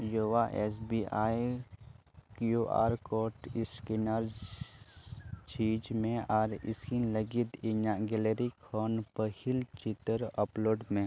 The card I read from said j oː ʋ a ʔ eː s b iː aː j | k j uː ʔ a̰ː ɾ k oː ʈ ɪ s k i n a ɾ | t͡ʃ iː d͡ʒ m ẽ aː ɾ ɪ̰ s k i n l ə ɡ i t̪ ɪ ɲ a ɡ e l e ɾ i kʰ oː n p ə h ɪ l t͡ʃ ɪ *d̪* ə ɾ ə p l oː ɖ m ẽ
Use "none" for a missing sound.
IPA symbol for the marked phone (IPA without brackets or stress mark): t̪